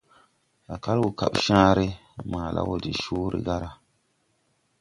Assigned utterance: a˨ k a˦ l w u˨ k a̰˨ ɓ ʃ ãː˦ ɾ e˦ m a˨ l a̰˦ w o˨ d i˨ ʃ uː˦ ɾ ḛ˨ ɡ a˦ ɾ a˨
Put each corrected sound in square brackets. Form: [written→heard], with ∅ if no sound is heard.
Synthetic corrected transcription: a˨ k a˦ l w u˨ k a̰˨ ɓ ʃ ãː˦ ɾ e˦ m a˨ l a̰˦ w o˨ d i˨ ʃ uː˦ ɾ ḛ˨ ɡ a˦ ɾ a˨

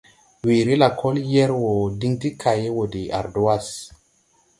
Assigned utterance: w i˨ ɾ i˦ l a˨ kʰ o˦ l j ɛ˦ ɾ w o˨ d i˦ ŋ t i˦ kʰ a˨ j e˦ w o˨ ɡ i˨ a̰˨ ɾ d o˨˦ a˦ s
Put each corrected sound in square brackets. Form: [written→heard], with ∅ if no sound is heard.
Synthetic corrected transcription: w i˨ ɾ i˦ l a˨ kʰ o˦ l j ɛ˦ ɾ w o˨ d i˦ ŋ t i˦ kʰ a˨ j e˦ w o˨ [ɡ→d] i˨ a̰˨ ɾ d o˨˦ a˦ s

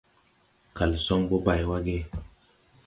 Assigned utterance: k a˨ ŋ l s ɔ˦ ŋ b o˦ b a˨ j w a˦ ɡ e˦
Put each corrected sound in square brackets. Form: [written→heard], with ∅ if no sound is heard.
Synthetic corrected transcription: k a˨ [ŋ→∅] l s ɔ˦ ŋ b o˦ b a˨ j w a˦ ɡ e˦

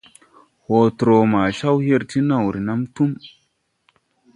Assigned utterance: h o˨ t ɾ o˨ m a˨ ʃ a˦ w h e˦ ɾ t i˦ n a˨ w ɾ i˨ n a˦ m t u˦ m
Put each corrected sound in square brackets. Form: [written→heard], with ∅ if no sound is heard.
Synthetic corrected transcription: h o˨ t ɾ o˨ m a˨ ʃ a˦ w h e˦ ɾ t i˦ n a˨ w ɾ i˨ n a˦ m t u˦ m

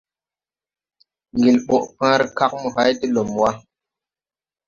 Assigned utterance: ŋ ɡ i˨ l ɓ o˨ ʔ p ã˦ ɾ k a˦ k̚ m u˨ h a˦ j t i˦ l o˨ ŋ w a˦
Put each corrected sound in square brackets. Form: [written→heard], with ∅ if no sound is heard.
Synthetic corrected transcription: ŋ ɡ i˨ l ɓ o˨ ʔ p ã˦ ɾ k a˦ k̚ m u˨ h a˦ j t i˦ l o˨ [ŋ→m] w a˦

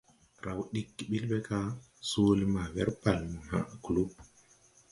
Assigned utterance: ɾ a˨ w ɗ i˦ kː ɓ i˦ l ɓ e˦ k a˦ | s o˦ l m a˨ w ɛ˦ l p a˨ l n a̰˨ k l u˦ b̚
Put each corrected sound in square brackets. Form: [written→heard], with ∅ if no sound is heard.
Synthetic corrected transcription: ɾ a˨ w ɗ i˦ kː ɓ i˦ l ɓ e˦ k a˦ | s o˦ l m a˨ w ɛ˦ [l→ɾ] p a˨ l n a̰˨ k l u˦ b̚

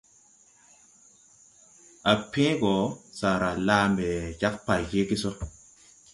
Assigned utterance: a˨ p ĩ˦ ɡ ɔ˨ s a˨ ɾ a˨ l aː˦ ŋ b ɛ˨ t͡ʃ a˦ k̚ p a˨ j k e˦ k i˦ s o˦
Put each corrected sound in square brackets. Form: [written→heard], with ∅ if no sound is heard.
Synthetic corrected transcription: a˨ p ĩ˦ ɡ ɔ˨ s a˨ ɾ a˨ l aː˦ [ŋ→m] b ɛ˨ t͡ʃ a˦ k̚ p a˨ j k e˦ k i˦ s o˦

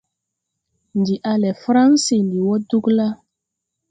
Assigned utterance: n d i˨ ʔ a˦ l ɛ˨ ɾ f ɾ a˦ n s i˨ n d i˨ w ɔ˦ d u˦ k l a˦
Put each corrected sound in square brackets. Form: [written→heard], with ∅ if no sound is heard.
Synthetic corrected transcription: n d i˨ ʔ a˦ l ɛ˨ [ɾ→∅] f ɾ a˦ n s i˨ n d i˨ w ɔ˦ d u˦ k l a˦

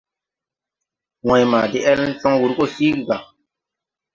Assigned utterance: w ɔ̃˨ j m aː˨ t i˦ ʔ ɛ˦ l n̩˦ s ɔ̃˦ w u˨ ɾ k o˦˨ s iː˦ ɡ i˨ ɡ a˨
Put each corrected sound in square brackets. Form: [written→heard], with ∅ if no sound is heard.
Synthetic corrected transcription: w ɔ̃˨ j m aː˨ [t→d] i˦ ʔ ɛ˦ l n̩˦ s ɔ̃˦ w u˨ ɾ k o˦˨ s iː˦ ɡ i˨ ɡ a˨

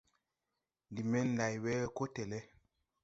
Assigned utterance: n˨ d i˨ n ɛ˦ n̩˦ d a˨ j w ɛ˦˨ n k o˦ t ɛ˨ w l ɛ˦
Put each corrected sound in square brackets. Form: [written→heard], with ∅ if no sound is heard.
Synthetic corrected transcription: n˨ d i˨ [n→m] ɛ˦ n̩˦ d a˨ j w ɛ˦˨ [n→∅] k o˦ t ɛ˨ [w→∅] l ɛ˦

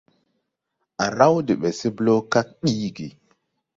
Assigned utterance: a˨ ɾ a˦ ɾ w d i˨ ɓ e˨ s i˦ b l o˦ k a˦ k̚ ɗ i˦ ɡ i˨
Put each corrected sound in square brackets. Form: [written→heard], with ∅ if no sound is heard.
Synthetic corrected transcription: a˨ ɾ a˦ [ɾ→∅] w d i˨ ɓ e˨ s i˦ b l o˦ k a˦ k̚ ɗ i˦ ɡ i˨

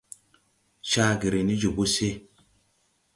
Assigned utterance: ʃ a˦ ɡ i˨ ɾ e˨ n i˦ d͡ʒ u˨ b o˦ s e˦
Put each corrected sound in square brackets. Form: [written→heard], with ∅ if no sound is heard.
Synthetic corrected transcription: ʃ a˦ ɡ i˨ ɾ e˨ n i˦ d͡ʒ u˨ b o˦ s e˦

